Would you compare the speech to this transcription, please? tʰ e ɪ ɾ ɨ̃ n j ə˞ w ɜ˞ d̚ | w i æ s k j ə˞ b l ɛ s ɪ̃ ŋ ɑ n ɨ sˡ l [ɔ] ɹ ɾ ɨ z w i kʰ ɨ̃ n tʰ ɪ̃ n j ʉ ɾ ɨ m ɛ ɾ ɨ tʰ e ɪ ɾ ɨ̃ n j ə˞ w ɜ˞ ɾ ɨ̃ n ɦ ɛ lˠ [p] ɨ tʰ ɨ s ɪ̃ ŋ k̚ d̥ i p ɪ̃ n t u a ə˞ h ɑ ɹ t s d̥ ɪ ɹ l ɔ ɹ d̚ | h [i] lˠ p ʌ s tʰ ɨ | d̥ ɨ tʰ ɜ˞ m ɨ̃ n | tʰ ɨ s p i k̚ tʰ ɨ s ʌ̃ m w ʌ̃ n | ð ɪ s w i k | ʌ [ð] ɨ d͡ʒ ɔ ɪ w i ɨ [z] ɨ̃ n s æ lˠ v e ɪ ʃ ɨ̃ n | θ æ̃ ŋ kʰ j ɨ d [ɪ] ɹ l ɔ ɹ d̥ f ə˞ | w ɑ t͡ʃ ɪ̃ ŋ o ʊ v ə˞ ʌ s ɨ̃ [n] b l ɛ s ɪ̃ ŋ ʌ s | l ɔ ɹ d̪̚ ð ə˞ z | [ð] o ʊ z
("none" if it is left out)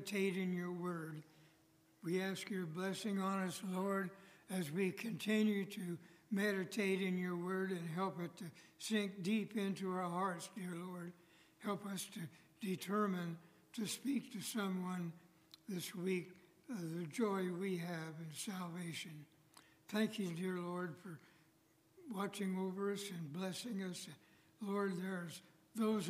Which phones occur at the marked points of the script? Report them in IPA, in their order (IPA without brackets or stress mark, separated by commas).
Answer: ɔ, p, ɛ, ð, v, ɪ, n, ð